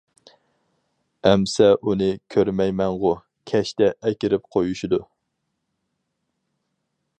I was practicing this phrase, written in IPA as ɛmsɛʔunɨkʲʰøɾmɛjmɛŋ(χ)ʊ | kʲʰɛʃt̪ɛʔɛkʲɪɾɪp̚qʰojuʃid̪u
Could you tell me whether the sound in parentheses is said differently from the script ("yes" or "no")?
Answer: yes